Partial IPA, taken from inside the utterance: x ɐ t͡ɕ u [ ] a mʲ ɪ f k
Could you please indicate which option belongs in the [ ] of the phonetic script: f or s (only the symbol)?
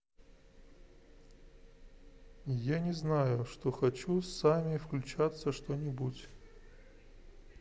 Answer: s